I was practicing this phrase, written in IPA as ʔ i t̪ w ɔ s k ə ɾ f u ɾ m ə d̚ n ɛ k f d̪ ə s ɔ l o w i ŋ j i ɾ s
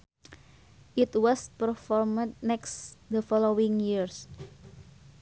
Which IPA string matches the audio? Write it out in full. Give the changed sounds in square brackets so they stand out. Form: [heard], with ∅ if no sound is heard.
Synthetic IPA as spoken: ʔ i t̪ w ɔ s [p] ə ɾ f [ɔ] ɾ m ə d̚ n ɛ k [s] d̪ ə [f] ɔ l o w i ŋ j i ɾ s

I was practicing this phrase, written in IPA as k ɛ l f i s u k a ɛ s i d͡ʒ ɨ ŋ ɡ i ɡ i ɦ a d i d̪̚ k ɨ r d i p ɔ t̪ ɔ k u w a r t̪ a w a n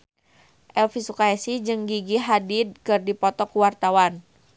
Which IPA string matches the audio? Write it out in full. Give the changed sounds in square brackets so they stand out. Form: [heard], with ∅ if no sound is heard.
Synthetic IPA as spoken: [ʔ] ɛ l f i s u k a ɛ s i d͡ʒ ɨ ŋ ɡ i ɡ i ɦ a d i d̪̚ k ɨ r d i p ɔ t̪ ɔ k u w a r t̪ a w a n

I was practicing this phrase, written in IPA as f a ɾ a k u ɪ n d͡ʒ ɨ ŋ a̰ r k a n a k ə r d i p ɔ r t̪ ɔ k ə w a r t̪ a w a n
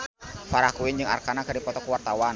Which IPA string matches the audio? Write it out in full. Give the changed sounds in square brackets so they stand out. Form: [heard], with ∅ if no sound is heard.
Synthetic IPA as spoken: f a ɾ a k u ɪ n d͡ʒ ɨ ŋ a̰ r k a n a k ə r d i p ɔ [∅] t̪ ɔ k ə w a r t̪ a w a n

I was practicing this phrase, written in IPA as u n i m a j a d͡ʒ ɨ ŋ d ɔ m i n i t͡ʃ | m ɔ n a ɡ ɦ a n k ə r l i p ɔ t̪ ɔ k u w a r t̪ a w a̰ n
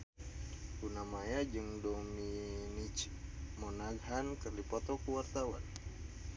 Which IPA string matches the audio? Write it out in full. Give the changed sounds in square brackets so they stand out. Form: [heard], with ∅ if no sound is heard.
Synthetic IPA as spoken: u n [a] m a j a d͡ʒ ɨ ŋ d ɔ m i n i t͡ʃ | m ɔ n a ɡ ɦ a n k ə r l i p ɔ t̪ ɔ k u w a r t̪ a w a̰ n

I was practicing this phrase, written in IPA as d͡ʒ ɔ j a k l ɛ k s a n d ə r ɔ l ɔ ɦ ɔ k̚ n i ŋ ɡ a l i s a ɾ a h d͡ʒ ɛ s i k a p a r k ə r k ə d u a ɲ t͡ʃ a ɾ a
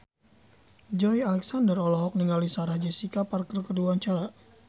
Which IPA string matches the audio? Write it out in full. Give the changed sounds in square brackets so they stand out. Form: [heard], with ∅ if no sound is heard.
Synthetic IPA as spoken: d͡ʒ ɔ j a [∅] l ɛ k s a n d ə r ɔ l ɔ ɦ ɔ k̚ n i ŋ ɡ a l i s a ɾ a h d͡ʒ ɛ s i k a p a r k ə r k ə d u a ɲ t͡ʃ a ɾ a

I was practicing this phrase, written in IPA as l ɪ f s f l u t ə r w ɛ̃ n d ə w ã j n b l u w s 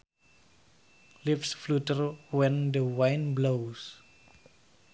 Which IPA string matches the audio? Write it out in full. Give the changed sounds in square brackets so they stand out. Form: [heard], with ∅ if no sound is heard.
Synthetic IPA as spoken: l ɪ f s f l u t ə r w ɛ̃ n d ə w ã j n b l [o] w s

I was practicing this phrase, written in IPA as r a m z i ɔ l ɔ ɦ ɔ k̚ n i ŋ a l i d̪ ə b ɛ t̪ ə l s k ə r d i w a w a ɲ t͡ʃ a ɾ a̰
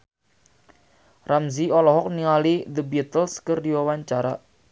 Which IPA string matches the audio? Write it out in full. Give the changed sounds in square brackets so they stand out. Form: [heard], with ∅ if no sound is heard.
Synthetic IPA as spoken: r a m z i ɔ l ɔ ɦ ɔ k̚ n i ŋ a l i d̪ ə b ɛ t̪ ə l s k ə r d i w a w a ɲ t͡ʃ a ɾ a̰

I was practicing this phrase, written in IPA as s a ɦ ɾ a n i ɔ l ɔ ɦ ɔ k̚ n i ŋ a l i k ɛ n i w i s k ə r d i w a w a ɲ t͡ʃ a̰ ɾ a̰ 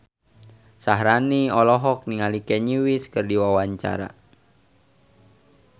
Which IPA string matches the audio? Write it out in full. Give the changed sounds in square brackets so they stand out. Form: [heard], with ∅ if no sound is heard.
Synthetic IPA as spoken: s a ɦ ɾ a n i ɔ l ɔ ɦ ɔ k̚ n i ŋ a l i k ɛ [ɲ] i w i s k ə r d i w a w a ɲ t͡ʃ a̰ ɾ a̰

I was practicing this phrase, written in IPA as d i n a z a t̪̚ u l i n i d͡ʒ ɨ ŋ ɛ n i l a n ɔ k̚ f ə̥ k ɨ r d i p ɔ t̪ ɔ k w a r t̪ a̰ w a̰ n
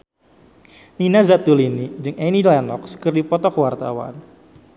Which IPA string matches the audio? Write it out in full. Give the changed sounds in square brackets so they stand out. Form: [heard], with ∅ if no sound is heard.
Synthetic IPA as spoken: [n] i n a z a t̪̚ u l i n i d͡ʒ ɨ ŋ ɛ n i l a n ɔ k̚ [s] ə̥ k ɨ r d i p ɔ t̪ ɔ k w a r t̪ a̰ w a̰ n

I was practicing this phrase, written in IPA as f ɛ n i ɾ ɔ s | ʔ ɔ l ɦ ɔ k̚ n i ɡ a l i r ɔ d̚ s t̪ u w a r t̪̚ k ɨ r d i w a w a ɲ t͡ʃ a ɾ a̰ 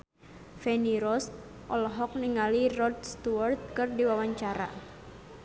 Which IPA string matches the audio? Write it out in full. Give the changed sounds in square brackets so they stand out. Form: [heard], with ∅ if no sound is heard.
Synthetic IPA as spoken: f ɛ n i ɾ ɔ s | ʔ ɔ l ɦ ɔ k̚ n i [ŋ] a l i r ɔ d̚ s t̪ u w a r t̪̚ k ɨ r d i w a w a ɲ t͡ʃ a ɾ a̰

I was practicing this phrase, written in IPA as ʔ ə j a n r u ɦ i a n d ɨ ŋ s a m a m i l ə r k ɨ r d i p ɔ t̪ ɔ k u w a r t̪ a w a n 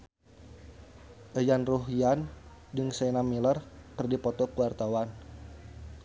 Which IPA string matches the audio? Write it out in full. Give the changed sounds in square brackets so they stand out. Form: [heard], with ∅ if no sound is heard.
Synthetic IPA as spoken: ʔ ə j a n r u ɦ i a n d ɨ ŋ s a [n] a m i l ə r k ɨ r d i p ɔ t̪ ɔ k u w a r t̪ a w a n

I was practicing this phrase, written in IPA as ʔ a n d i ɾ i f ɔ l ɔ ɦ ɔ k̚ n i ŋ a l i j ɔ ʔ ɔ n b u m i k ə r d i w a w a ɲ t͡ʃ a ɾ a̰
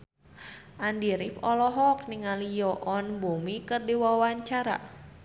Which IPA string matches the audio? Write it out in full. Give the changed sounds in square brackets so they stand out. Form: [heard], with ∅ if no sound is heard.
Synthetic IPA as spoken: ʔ a n d i ɾ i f ɔ l ɔ ɦ ɔ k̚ n i ŋ a l i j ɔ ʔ ɔ n b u m i k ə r d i w a w a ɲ t͡ʃ a ɾ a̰

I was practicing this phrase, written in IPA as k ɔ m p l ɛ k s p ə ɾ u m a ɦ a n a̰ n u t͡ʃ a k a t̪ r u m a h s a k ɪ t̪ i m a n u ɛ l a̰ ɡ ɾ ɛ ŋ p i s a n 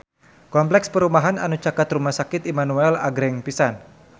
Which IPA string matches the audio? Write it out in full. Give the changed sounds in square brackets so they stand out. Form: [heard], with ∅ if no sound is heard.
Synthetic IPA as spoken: k ɔ m p l ɛ k s p ə ɾ u m a ɦ a n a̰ n u t͡ʃ a k a t̪ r u m a h s a k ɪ t̪ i m a n u ɛ l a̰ ɡ ɾ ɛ ŋ p i s a n

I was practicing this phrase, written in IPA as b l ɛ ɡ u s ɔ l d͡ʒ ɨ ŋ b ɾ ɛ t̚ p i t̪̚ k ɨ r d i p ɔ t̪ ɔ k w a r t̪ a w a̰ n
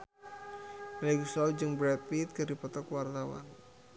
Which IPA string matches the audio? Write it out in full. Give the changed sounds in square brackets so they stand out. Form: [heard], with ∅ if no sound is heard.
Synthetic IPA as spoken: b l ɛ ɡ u s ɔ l d͡ʒ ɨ ŋ b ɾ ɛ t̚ p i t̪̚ k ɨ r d i p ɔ t̪ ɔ k w a r t̪ a w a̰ n

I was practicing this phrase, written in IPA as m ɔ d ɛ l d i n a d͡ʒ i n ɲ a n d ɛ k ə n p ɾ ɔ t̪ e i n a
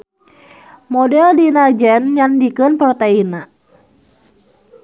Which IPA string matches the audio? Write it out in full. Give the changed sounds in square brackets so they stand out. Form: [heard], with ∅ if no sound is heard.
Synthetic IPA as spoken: m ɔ d ɛ l d i n a d͡ʒ [ɛ] n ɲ a n d [i] k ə n p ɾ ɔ t̪ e i n a

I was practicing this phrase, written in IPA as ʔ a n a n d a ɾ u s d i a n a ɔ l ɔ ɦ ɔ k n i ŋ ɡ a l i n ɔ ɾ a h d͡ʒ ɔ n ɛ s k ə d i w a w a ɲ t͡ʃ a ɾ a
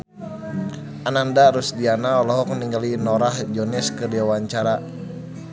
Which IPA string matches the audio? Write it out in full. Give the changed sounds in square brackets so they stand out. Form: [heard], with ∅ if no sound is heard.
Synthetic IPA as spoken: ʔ a n a n d a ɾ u s d i a n a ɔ l ɔ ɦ ɔ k n i ŋ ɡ a l i n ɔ ɾ a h d͡ʒ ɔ n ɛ s k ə d i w a w a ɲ t͡ʃ a ɾ a

